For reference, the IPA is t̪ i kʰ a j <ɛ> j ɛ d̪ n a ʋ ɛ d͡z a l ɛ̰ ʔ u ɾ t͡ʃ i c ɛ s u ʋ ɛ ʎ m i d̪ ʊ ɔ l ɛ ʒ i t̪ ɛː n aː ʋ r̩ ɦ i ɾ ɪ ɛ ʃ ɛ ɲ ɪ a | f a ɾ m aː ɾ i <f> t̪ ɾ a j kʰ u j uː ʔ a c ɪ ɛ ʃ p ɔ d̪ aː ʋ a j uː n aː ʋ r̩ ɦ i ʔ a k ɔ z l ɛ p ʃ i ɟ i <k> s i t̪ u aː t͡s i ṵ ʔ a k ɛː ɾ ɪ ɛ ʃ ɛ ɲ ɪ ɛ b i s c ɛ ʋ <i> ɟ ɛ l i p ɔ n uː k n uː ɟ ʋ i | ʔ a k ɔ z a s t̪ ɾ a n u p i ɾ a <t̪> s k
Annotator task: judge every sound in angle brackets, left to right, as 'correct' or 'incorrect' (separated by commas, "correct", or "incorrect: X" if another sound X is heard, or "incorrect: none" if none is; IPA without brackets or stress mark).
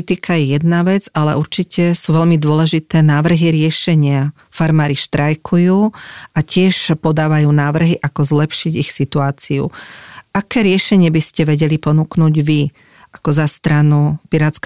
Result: correct, incorrect: ʃ, incorrect: x, incorrect: ɛ, correct